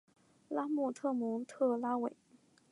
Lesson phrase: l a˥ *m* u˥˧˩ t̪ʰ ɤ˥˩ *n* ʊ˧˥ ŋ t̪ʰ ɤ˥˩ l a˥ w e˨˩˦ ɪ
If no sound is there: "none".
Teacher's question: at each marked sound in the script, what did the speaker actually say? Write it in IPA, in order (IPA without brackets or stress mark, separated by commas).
m, m